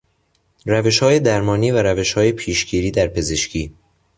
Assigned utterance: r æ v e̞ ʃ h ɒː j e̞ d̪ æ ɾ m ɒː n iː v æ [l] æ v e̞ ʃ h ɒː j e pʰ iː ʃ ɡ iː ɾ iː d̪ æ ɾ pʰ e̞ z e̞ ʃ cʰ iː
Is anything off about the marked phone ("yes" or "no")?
yes